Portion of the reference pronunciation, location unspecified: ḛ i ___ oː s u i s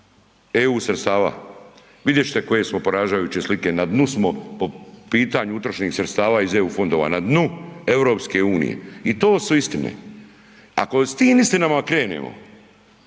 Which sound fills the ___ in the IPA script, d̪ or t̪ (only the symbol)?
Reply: t̪